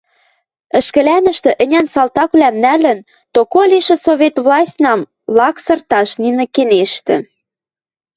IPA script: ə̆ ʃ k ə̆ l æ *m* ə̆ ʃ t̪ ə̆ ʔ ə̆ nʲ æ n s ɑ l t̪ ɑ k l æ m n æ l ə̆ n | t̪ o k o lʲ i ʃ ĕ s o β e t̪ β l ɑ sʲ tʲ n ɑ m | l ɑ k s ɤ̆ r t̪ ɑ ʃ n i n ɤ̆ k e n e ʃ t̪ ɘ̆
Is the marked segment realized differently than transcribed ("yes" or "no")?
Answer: yes